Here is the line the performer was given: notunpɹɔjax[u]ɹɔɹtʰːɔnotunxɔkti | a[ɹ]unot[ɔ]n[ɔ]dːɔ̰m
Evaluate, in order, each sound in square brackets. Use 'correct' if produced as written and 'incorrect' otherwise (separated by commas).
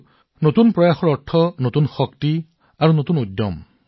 incorrect, correct, incorrect, incorrect